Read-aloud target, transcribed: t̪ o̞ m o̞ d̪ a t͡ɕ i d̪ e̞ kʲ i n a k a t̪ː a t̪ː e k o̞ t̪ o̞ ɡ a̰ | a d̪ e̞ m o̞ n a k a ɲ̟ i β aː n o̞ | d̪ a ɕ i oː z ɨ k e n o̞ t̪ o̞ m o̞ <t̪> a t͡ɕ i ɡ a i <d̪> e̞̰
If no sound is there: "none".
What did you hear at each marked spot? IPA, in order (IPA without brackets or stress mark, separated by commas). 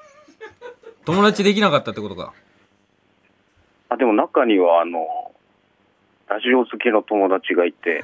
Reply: d̪, t̪